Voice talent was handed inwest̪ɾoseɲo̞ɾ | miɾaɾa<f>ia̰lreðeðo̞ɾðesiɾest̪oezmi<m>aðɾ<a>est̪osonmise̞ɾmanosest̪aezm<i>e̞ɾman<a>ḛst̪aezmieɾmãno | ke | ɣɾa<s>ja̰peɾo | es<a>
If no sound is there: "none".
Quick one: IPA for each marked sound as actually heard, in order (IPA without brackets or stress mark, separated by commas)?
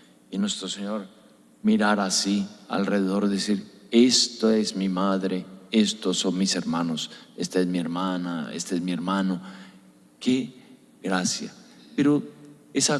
s, m, e, i, a, s, a